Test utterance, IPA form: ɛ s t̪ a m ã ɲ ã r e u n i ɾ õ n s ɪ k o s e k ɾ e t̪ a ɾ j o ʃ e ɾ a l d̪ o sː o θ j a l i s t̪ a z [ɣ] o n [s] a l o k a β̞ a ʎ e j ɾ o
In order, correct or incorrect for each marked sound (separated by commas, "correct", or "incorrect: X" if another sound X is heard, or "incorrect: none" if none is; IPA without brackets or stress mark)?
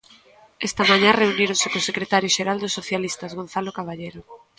correct, incorrect: θ